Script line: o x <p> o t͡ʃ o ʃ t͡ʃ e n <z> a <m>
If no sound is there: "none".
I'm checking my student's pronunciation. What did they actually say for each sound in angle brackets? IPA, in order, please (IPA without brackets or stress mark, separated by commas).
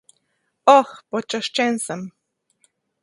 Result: p, s, m